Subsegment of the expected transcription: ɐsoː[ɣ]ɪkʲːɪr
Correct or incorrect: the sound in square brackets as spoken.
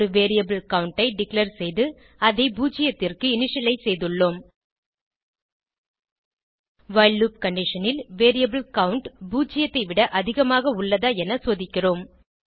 incorrect: ð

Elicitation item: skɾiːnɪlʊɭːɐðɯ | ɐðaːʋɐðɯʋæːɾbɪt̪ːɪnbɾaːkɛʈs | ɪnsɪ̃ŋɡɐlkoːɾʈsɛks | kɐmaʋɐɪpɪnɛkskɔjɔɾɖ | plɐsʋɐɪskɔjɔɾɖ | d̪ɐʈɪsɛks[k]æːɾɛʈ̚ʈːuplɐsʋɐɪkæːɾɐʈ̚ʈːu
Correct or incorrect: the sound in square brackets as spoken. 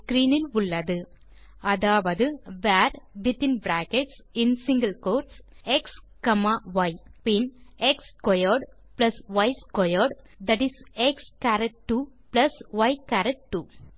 correct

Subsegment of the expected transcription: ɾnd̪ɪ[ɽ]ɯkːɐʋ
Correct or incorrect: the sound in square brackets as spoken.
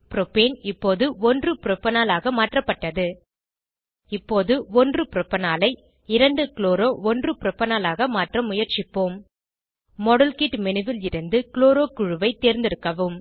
incorrect: ɾ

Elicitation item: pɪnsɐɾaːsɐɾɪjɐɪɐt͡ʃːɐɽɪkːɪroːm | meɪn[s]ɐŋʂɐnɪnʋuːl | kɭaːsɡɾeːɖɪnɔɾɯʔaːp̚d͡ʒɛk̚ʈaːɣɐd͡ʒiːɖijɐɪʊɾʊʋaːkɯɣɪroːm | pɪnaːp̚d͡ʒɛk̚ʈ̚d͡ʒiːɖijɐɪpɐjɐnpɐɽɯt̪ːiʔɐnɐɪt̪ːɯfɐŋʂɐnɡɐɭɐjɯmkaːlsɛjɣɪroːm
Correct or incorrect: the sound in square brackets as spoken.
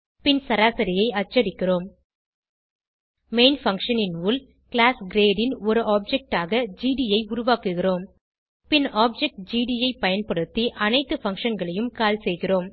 incorrect: f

